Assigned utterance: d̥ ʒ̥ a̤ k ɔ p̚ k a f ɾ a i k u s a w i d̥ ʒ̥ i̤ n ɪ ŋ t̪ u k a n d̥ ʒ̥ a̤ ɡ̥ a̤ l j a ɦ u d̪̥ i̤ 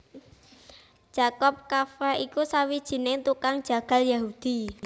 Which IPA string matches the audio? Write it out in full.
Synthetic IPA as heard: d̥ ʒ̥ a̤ k ɔ p̚ k a f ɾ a i k u s a w i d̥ ʒ̥ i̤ n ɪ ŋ t̪ u k a ŋ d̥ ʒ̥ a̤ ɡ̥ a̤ l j a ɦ u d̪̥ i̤